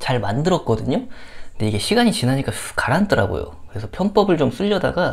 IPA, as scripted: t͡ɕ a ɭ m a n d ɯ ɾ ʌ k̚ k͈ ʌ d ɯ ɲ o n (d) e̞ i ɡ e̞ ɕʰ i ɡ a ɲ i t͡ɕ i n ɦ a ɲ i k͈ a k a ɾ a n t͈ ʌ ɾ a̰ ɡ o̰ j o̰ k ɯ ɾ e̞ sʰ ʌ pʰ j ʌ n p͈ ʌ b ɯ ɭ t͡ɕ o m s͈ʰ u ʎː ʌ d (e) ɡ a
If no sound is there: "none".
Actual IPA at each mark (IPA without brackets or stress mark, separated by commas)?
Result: d, a